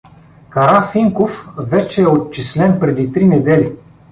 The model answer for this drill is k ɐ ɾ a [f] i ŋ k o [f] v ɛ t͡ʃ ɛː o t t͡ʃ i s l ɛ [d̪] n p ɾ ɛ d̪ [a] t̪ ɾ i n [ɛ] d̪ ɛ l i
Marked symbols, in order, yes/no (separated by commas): yes, yes, no, no, yes